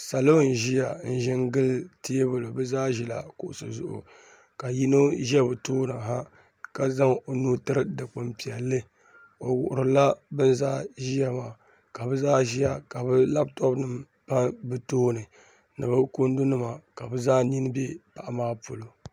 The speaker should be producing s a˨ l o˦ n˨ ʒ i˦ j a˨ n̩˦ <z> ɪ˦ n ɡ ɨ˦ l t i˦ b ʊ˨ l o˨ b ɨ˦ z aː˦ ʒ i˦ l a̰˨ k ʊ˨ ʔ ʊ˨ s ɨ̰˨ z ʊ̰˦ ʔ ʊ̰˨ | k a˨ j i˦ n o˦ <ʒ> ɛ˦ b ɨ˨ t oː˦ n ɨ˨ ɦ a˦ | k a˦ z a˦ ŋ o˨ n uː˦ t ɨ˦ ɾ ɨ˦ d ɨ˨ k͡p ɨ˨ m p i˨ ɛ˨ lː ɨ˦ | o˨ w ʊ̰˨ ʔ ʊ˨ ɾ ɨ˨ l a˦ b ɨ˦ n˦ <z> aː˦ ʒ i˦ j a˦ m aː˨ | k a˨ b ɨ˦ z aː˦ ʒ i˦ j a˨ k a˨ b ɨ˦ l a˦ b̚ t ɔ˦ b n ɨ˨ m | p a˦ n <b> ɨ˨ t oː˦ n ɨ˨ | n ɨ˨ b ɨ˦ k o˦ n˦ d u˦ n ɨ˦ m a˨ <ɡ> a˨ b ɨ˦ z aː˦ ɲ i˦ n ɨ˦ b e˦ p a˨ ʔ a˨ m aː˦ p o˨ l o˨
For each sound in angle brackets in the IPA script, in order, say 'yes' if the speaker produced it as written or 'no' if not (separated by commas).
no, yes, yes, yes, no